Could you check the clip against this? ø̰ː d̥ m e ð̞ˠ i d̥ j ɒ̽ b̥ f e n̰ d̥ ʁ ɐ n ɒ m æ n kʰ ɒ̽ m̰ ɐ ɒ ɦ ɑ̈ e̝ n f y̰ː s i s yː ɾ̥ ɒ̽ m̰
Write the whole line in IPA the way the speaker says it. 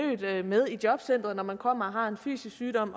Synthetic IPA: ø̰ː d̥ m e ð̞ˠ i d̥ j ɒ̽ b̥ s e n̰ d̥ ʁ ɐ n ɒ m æ n kʰ ɒ̽ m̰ ɐ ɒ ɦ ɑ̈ e̝ n f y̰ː s i s yː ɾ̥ ɒ̽ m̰